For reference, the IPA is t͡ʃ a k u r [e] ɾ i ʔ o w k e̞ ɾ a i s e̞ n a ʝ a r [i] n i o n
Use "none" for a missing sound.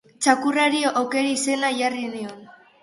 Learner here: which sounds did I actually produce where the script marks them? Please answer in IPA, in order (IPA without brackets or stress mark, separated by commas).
a, i